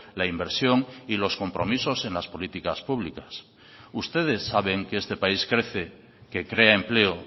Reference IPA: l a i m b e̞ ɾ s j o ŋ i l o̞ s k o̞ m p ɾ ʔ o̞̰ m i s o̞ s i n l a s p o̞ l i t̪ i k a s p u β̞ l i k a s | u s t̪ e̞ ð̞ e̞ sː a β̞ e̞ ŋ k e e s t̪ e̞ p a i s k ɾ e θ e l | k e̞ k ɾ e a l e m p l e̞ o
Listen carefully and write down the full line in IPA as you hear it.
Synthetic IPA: l a i m b e̞ ɾ s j o ŋ i l o̞ s k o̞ m p ɾ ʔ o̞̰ m i s o̞ s e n l a s p o̞ l i t̪ i k a s p u β̞ l i k a s | u s t̪ e̞ ð̞ e̞ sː a β̞ e̞ ŋ k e e s t̪ e̞ p a i s k ɾ e θ e | k e̞ k ɾ e a e m p l e̞ o